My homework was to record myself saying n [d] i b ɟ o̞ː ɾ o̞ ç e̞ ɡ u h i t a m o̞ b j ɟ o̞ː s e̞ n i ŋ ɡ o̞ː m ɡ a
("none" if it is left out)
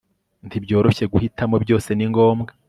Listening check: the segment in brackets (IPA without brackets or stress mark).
t